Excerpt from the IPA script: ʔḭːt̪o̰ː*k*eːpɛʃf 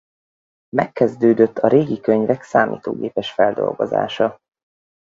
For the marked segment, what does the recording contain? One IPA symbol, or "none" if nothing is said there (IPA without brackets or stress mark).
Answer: ɡ